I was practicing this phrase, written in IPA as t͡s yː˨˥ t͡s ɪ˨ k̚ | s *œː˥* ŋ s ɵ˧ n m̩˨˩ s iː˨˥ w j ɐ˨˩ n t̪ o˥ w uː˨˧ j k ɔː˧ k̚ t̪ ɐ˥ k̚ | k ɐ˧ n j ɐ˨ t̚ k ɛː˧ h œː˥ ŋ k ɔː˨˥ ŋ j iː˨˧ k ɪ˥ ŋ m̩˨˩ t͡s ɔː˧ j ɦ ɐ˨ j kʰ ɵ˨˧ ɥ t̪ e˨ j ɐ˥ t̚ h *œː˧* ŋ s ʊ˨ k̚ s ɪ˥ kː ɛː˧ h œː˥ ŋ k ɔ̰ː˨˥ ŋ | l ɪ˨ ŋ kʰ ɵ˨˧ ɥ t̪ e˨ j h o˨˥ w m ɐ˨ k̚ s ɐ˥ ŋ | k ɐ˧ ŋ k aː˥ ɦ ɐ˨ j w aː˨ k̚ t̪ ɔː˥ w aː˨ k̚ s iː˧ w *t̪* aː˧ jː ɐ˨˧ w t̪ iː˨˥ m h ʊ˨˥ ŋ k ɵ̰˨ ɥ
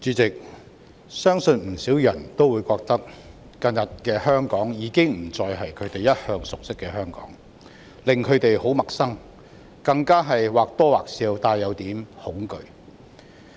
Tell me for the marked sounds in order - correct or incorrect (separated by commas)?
correct, correct, correct